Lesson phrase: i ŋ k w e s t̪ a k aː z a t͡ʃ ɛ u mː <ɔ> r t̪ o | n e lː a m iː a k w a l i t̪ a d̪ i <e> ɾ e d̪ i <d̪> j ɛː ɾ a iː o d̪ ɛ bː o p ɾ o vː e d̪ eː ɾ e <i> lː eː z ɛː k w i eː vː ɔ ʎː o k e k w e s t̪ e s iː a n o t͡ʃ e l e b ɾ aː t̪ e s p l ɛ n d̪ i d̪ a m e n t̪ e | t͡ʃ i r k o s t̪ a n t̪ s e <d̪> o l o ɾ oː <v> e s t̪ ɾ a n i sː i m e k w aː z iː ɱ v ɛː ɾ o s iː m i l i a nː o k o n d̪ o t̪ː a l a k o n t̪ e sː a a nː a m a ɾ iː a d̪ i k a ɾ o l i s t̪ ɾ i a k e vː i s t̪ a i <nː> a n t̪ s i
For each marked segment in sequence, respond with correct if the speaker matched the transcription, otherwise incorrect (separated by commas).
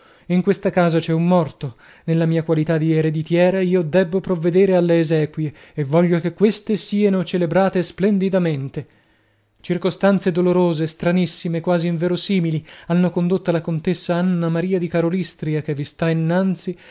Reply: correct, correct, incorrect, incorrect, correct, incorrect, correct